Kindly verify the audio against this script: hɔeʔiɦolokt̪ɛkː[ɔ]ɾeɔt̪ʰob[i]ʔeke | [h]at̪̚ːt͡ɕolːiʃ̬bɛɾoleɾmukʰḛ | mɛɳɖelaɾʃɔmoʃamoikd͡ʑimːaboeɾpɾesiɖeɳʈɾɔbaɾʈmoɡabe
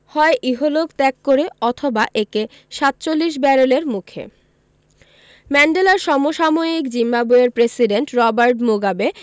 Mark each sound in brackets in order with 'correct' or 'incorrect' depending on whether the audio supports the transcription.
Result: incorrect: o, incorrect: a, incorrect: ʃ

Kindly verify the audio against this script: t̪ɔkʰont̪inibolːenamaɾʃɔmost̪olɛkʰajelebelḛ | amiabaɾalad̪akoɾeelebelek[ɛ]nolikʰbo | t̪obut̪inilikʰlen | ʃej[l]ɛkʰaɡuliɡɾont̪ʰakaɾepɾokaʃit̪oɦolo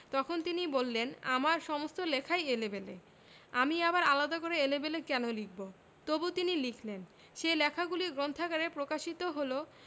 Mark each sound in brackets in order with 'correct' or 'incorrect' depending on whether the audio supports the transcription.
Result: correct, correct

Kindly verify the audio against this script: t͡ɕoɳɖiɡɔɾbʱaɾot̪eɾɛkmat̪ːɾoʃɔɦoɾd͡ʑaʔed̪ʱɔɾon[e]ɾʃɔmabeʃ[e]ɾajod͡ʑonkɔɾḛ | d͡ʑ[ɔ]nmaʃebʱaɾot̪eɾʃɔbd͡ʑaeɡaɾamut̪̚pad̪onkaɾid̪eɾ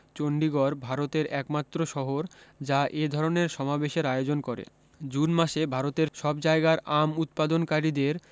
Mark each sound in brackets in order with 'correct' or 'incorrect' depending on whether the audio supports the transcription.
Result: correct, correct, incorrect: u

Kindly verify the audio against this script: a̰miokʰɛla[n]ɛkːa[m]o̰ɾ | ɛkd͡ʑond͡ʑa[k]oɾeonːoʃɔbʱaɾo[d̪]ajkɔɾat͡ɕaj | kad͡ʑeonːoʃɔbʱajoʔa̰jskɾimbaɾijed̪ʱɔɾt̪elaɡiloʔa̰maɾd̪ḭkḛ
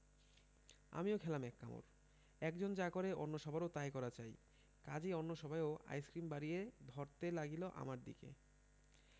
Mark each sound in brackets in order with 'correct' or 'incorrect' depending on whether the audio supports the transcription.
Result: incorrect: m, correct, correct, incorrect: t̪

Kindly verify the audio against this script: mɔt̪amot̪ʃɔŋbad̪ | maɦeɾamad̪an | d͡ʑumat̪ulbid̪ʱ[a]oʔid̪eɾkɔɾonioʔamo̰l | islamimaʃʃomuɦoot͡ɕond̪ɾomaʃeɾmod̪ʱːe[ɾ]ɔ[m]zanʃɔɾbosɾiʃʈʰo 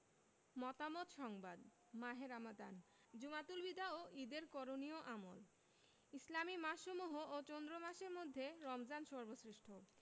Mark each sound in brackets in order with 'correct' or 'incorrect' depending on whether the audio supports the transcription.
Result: correct, correct, correct

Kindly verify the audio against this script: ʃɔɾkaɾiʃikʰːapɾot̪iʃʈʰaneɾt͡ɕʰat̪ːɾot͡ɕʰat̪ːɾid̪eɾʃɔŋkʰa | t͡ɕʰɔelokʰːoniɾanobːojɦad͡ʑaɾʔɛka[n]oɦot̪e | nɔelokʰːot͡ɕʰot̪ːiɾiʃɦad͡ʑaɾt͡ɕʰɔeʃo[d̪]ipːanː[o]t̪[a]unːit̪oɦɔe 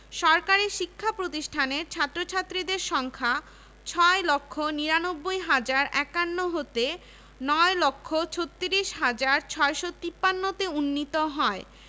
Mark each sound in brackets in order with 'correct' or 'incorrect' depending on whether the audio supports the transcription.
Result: incorrect: nː, incorrect: t̪, correct, incorrect: e

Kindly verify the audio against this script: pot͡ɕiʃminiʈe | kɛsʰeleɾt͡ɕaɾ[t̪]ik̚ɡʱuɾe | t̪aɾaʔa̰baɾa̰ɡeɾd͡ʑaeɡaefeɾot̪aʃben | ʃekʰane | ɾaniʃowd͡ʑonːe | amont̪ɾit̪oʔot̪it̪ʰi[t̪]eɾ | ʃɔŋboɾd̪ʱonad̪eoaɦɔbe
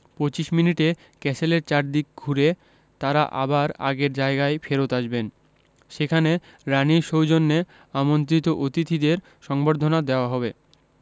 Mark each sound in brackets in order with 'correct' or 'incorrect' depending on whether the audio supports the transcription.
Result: incorrect: d̪, incorrect: d̪

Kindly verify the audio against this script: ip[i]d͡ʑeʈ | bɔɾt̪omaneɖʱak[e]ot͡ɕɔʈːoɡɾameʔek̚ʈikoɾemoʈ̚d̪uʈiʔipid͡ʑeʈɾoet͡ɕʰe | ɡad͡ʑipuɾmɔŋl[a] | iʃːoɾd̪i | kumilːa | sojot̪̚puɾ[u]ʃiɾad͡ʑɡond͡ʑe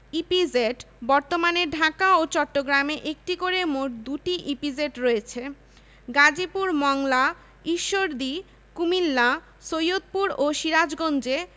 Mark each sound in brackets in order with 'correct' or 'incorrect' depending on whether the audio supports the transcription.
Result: correct, incorrect: a, correct, incorrect: o

